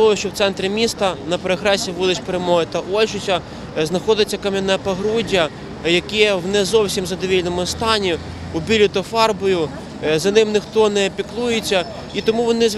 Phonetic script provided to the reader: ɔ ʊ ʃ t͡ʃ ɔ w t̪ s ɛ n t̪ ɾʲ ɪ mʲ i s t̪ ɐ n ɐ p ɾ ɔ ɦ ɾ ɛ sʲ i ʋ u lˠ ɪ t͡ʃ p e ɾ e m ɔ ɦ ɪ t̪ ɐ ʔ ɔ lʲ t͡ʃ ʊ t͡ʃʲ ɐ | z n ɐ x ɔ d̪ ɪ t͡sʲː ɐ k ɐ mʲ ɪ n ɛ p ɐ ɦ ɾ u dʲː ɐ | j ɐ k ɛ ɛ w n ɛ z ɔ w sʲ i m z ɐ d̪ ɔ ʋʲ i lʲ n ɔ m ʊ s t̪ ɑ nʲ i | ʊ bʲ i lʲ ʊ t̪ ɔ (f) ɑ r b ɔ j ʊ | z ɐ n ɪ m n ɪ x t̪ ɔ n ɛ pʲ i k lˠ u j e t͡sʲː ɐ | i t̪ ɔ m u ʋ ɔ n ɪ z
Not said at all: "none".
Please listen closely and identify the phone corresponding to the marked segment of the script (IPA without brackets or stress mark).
f